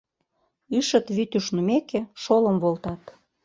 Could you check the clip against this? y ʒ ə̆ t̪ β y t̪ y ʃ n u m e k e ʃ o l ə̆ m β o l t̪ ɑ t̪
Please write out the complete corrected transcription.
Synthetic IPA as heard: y ʃ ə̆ t̪ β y t̪ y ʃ n u m e k e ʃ o l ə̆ m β o l t̪ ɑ t̪